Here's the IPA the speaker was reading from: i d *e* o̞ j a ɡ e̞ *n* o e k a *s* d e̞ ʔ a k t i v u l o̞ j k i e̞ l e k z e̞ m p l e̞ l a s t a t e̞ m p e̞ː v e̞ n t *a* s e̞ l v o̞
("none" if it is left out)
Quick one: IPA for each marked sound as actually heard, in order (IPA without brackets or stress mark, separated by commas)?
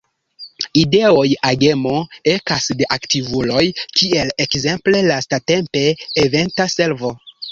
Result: e, m, s, a